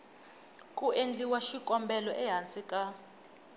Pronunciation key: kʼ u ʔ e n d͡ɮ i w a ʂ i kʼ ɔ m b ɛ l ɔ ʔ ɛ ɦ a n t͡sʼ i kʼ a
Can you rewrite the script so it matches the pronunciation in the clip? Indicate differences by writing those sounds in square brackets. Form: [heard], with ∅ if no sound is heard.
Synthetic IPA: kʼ u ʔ e n d͡ɮ i w a [ʃ] i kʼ ɔ m b ɛ l ɔ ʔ ɛ ɦ a n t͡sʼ i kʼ a